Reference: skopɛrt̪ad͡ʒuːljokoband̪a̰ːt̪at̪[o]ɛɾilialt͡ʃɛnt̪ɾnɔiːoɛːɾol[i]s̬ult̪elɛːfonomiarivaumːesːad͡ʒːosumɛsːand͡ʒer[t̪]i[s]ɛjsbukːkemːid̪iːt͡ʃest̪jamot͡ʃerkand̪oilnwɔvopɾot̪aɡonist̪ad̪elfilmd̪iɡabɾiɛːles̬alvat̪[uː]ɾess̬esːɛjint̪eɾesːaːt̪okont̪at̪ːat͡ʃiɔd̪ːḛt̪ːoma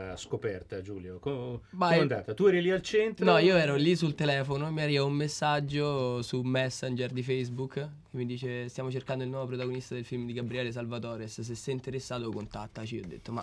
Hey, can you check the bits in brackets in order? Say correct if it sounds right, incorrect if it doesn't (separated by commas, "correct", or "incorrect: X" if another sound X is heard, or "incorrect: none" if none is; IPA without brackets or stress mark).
incorrect: u, correct, incorrect: d̪, incorrect: f, incorrect: ɔː